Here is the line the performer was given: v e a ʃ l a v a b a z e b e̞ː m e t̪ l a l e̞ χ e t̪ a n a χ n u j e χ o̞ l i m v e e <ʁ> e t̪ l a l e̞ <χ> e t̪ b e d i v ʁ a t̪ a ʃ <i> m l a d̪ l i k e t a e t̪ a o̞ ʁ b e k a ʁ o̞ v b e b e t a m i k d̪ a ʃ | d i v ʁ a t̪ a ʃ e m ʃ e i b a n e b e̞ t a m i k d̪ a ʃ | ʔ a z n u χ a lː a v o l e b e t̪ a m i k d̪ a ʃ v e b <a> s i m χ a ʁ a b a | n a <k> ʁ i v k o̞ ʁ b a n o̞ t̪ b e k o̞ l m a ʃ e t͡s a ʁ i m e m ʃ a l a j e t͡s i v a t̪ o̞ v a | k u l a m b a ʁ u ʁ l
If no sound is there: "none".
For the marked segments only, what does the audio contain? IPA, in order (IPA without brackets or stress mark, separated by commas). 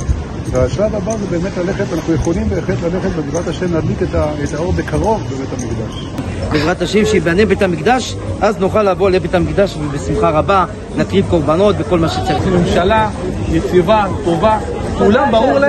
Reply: χ, χ, e, e, k